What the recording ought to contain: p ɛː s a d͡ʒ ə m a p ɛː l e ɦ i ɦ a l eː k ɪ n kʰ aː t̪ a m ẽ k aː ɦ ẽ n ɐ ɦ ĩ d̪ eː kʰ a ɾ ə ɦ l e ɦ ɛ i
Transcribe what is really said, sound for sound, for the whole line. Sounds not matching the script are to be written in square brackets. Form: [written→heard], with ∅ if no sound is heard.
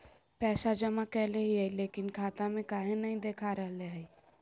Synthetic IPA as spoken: p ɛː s a d͡ʒ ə m a [p→k] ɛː l e ɦ i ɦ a l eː k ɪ n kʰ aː t̪ a m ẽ k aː ɦ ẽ n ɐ ɦ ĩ d̪ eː kʰ a ɾ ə ɦ l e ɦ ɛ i